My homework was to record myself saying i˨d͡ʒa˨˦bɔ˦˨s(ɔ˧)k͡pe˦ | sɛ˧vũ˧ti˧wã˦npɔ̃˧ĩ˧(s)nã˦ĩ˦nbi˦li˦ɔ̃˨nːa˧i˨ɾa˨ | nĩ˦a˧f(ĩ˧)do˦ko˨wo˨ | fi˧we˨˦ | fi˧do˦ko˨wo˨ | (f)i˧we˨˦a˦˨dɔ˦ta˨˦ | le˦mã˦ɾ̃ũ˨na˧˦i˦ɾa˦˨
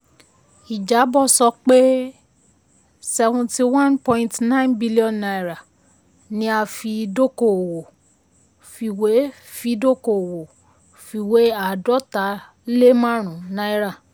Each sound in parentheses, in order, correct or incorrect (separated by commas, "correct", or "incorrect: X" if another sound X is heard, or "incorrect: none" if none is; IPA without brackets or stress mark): correct, incorrect: t, incorrect: i˧, correct